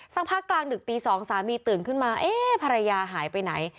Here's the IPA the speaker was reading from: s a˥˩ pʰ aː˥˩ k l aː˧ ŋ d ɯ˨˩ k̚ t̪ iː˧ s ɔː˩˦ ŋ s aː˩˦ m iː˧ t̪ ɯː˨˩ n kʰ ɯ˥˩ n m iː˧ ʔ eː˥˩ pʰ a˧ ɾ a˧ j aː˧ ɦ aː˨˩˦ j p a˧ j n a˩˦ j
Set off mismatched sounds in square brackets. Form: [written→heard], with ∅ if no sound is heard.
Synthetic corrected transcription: s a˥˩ pʰ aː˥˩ k l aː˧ ŋ d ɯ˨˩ k̚ t̪ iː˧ s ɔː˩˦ ŋ s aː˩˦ m iː˧ t̪ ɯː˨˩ n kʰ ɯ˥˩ n m [iː˧→aː˧] ʔ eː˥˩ pʰ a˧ ɾ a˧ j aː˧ ɦ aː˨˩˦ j p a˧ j n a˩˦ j